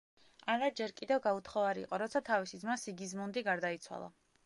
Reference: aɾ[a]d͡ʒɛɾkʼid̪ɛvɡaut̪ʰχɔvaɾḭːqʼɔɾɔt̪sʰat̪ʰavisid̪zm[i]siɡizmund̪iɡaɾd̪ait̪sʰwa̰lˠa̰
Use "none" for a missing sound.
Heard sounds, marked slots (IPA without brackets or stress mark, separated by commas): a, a